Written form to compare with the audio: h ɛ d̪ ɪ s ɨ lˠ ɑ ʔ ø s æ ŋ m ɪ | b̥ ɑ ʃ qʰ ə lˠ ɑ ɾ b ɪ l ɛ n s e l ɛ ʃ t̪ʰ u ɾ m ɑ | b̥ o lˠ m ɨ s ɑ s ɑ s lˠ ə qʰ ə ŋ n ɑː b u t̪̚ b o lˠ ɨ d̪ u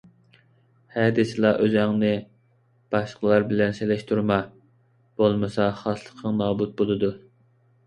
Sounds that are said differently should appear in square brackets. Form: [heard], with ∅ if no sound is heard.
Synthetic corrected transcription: h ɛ d̪ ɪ s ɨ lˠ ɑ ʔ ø [z] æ ŋ [n] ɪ | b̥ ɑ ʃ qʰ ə lˠ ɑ ɾ b ɪ l ɛ n s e l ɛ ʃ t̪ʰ u ɾ m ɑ | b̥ o lˠ m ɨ s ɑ [χ] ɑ s lˠ ə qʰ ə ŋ n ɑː b u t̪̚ b o lˠ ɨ d̪ u